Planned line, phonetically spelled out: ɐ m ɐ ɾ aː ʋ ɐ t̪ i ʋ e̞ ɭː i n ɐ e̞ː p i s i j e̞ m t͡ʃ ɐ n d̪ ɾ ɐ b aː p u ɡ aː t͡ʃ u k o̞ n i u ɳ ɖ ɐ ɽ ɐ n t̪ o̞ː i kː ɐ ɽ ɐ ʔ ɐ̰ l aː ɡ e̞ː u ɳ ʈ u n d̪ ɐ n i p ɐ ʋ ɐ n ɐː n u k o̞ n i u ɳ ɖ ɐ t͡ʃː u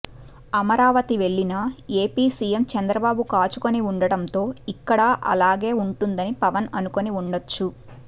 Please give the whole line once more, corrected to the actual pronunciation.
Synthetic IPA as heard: ɐ m ɐ ɾ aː ʋ ɐ t̪ i ʋ e̞ ɭː i n ɐ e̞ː p iː s i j e̞ m t͡ʃ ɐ n d̪ ɾ ɐ b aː b u k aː t͡ʃ u k o̞ n i u ɳ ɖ ɐ ɽ ɐ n t̪ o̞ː i kː ɐ ɽ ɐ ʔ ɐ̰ l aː ɡ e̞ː u ɳ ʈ u n d̪ ɐ n i p ɐ ʋ ɐ n ɐ n u k o̞ n i u ɳ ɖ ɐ t͡ʃː u

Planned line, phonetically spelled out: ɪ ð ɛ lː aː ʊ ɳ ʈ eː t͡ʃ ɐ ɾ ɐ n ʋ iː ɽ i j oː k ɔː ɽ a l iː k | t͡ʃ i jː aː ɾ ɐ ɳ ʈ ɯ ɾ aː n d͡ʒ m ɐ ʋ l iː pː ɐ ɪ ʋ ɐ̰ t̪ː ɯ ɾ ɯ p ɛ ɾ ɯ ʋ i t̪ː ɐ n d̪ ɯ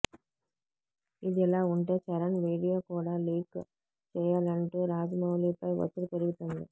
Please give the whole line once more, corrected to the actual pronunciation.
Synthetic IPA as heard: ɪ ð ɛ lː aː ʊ ɳ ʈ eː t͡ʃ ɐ ɾ ɐ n ʋ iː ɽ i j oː k uː ɽ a l iː k | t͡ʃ ɛ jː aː l ɐ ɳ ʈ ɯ ɾ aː d͡ʒ m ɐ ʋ l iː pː ɐ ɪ ʋ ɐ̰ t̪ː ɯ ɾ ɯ p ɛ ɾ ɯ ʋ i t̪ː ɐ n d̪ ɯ

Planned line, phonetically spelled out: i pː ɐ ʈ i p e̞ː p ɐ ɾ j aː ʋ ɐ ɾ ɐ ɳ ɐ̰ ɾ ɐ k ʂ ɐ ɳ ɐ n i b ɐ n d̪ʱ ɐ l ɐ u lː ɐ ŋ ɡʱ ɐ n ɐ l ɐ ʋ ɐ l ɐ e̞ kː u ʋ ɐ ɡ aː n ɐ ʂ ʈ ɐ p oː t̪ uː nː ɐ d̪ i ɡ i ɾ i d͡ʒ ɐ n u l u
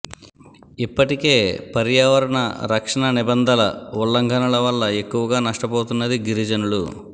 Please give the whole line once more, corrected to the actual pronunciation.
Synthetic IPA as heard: i pː ɐ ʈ i k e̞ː p ɐ ɾ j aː ʋ ɐ ɾ ɐ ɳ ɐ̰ ɾ ɐ k ʂ ɐ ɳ ɐ n i b ɐ n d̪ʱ ɐ l ɐ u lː ɐ ŋ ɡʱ ɐ n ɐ l ɐ ʋ ɐ lː ɐ e̞ kː u ʋ ɐ ɡ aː n ɐ ʂ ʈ ɐ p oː t̪ u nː ɐ d̪ i ɡ i ɾ i d͡ʒ ɐ n u l u

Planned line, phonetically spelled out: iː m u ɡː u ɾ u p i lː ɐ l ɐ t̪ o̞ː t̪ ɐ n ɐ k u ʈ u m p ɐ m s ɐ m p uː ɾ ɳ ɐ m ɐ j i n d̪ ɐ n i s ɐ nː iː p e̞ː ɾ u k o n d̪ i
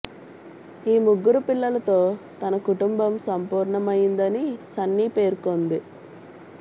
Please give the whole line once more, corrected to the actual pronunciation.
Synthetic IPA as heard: iː m u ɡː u ɾ u p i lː ɐ l ɐ t̪ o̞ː t̪ ɐ n ɐ k u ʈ u m b ɐ m s ɐ m p uː ɾ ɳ ɐ m ɐ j i n d̪ ɐ n i s ɐ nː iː p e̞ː ɾ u k o n d̪ i

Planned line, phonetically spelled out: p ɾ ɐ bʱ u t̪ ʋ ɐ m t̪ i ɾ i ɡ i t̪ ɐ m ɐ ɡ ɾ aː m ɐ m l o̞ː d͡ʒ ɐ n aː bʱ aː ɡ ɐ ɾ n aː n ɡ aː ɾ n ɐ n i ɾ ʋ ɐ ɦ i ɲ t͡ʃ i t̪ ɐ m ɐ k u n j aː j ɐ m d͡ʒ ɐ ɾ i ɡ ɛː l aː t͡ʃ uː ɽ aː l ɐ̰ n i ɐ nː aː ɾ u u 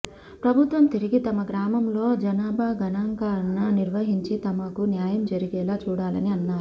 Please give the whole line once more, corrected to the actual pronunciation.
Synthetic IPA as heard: p ɾ ɐ bʱ u t̪ ʋ ɐ m t̪ i ɾ i ɡ i t̪ ɐ m ɐ ɡ ɾ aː m ɐ m l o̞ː d͡ʒ ɐ n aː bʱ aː ɡ ɐ n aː ŋ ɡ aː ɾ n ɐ n i ɾ ʋ ɐ ɦ i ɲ t͡ʃ i t̪ ɐ m ɐ k u n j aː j ɐ m d͡ʒ ɐ ɾ i ɡ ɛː l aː t͡ʃ uː ɽ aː l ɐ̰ n i ɐ nː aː ɾ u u

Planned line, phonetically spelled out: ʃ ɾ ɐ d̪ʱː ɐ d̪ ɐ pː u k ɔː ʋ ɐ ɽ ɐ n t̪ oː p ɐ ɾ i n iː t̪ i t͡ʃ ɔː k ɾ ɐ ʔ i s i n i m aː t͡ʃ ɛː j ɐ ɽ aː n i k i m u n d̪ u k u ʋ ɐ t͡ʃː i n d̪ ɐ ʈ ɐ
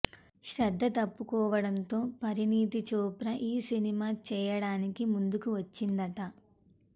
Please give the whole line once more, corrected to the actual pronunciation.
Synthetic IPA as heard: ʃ ɾ ɐ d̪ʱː ɐ t̪ ɐ pː u k ɔː ʋ ɐ ɽ ɐ n t̪ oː p ɐ ɾ i n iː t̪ i t͡ʃ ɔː p ɾ ɐ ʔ iː s i n i m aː t͡ʃ ɛː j ɐ ɽ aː n i k i m u n d̪ u k u ʋ ɐ t͡ʃː i n d̪ ɐ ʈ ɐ

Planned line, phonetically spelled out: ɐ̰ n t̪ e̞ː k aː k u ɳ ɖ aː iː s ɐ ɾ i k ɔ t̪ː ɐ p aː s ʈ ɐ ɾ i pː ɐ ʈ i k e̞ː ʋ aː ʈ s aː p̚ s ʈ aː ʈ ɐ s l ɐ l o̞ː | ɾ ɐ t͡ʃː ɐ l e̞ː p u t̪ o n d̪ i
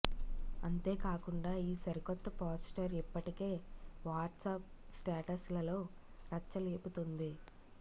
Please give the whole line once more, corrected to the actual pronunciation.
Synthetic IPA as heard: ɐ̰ n t̪ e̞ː k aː k u ɳ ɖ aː iː s ɐ ɾ i k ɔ t̪ː ɐ p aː s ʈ ɐ ɾ i pː ɐ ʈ i k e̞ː ʋ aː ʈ s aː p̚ s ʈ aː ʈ ɐ s l ɐ l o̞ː | ɾ ɐ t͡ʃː ɐ l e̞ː p u t̪ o n d̪ i

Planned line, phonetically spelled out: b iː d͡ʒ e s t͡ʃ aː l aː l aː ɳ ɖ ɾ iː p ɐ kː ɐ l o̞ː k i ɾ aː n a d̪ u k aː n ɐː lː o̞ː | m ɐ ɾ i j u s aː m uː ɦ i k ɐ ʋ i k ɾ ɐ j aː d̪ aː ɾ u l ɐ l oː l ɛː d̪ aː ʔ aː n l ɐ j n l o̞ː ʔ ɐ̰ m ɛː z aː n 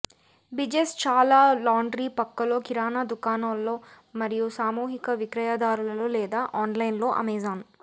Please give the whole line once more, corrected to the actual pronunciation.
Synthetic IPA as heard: b i d͡ʒ e s t͡ʃ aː l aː l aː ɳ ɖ ɾ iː p ɐ kː ɐ l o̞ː k i ɾ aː n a d̪ u k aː n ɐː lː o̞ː | m ɐ ɾ i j u s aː m uː ɦ i k ɐ ʋ i k ɾ ɐ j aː d̪ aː ɾ u l ɐ l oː l ɛː d̪ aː ʔ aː n l ɐ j n l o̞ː ʔ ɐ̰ m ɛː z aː n

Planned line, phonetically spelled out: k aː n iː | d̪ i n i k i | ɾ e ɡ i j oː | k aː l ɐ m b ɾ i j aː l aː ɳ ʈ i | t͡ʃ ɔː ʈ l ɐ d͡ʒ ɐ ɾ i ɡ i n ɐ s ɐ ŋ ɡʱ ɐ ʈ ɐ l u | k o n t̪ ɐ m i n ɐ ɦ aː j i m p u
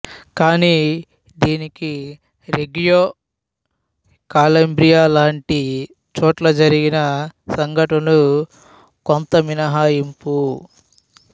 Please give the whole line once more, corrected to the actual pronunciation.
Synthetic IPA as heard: k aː n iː | d̪ iː n i k i | ɾ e ɡ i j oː | k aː l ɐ m b ɾ i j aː l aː ɳ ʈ i | t͡ʃ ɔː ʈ l ɐ d͡ʒ ɐ ɾ i ɡ i n ɐ s ɐ ŋ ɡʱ ɐ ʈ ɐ l u | k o n t̪ ɐ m i n ɐ ɦ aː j i m p u

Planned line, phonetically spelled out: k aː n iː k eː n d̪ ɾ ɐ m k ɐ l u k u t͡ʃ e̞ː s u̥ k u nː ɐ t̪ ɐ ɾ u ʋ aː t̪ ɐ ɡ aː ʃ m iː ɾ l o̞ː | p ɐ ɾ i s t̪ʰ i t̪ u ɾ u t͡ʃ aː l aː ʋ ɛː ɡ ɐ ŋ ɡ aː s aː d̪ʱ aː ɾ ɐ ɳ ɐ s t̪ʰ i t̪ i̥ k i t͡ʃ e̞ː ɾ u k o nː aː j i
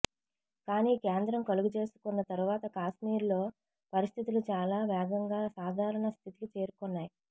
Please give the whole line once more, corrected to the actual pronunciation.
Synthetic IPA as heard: k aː n iː k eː n d̪ ɾ ɐ m k ɐ l u ɡ u t͡ʃ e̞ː s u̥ k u nː ɐ t̪ ɐ ɾ u ʋ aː t̪ ɐ k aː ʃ m iː ɾ l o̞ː | p ɐ ɾ i s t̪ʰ i t̪ u l u t͡ʃ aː l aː ʋ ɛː ɡ ɐ ŋ ɡ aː s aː d̪ʱ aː ɾ ɐ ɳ ɐ s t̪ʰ i t̪ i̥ k i t͡ʃ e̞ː ɾ u k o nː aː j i

